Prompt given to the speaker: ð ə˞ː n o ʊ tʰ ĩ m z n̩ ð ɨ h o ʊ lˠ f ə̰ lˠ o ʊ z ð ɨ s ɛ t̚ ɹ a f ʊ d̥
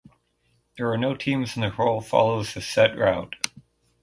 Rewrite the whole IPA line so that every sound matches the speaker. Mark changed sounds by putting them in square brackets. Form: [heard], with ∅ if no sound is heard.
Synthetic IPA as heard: ð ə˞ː n o ʊ tʰ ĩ m z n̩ ð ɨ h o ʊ lˠ f [ɑ̰] lˠ o ʊ z ð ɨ s ɛ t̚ ɹ a [∅] ʊ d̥